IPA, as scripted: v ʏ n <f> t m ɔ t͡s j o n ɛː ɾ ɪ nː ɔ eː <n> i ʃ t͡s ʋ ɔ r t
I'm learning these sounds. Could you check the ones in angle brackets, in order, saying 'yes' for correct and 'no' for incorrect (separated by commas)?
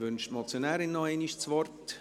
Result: no, yes